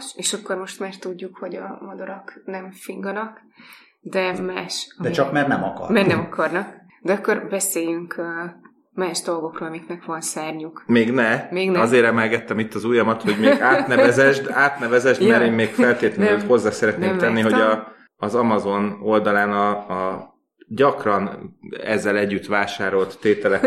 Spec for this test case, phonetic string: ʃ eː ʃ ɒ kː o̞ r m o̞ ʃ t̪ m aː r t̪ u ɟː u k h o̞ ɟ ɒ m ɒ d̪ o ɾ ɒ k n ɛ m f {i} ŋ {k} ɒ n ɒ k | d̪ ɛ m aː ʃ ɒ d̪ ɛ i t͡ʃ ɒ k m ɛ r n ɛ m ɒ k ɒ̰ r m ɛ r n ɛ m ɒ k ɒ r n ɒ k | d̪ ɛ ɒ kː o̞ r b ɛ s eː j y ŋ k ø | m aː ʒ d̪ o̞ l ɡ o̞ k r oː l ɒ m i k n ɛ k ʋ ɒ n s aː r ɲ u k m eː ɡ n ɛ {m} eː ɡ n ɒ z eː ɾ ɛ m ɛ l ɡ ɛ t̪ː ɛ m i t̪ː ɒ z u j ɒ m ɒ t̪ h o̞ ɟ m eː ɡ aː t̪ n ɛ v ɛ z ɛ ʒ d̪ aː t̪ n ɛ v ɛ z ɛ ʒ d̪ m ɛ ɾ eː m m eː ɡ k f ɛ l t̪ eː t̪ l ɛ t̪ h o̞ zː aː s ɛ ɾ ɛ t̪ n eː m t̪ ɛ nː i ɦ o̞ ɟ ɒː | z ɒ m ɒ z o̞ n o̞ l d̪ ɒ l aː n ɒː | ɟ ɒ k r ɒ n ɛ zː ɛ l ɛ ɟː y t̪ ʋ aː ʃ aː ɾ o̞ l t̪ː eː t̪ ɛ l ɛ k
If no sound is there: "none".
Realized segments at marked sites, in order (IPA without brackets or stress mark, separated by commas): i, ɡ, m